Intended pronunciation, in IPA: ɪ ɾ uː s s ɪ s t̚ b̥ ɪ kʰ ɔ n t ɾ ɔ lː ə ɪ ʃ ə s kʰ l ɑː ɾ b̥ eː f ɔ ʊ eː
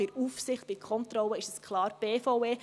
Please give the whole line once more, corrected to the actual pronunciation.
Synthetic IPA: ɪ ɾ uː f s ɪ χ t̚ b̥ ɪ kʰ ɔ n t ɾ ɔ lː ə ɪ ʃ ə s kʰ l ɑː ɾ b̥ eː f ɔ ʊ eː